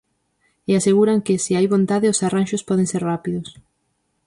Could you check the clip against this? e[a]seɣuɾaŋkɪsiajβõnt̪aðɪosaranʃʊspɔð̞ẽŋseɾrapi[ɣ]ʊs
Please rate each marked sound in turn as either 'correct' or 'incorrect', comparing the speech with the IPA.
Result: correct, incorrect: ð

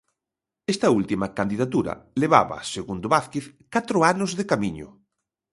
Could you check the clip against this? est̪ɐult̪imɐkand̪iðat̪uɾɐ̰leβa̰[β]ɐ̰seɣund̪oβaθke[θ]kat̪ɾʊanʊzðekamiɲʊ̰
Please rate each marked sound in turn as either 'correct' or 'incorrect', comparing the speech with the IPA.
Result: correct, correct

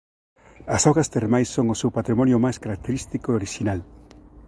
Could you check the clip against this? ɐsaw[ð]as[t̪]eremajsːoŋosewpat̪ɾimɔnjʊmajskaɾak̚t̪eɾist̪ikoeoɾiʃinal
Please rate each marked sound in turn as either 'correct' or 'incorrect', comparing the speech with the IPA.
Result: incorrect: ɣ, correct

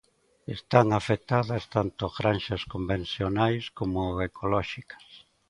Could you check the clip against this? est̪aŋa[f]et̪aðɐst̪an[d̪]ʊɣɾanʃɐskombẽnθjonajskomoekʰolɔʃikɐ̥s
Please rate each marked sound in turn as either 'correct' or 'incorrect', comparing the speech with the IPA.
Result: correct, incorrect: t̪

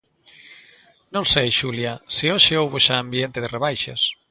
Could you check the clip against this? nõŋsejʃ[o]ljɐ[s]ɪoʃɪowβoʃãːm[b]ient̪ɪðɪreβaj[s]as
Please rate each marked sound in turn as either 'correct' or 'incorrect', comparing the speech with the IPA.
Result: incorrect: u, correct, correct, incorrect: ʃ

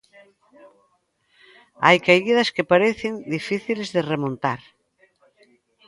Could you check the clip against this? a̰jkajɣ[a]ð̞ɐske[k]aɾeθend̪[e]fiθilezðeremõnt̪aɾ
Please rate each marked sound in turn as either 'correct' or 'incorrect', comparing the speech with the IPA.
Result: incorrect: i, incorrect: p, incorrect: i

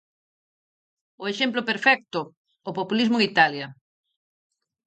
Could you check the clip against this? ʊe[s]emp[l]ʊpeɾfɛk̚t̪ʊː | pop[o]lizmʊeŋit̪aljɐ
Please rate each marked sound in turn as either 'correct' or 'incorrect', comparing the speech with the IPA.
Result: incorrect: ʃ, correct, incorrect: u

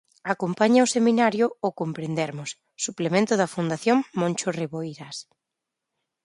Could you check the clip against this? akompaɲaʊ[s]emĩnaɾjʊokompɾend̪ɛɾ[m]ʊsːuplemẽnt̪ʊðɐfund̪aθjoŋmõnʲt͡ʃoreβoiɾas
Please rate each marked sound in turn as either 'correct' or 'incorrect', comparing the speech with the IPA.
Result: correct, correct

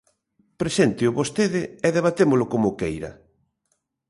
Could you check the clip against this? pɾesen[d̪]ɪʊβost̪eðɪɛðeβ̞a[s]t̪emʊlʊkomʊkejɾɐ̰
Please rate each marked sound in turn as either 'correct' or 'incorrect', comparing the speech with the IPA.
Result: incorrect: t̪, incorrect: none

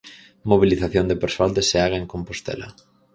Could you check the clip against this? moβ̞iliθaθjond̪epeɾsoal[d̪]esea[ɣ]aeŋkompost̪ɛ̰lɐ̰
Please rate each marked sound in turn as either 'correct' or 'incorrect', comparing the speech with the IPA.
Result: correct, correct

